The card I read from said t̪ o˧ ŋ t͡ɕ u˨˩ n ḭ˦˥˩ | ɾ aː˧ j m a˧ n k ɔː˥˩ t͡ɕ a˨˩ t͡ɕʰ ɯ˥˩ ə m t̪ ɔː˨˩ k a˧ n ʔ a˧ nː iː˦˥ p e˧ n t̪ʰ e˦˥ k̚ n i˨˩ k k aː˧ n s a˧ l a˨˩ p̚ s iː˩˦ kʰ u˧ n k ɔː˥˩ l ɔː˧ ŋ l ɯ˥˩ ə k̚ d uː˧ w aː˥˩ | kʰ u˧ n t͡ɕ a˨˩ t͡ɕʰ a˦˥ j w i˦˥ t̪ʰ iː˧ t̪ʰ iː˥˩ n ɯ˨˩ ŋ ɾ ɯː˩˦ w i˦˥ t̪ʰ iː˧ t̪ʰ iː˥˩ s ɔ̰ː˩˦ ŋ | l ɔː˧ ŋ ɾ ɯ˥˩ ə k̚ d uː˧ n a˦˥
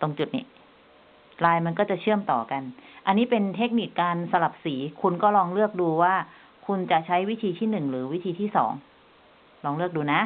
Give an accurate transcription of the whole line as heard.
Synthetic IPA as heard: t̪ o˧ ŋ t͡ɕ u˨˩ n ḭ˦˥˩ | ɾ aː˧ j m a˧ n k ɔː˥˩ t͡ɕ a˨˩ t͡ɕʰ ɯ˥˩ ə m t̪ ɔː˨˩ k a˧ n ʔ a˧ nː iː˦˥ p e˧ n t̪ʰ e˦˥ k̚ n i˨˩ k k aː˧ n s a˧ l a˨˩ p̚ s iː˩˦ kʰ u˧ n k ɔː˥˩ l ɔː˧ ŋ l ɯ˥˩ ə k̚ d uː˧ w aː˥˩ | kʰ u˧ n t͡ɕ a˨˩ t͡ɕʰ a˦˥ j w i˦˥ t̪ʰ iː˧ t̪ʰ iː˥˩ n ɯ˨˩ ŋ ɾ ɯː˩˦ w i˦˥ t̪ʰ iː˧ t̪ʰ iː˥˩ s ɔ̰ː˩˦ ŋ | l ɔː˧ ŋ l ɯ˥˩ ə k̚ d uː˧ n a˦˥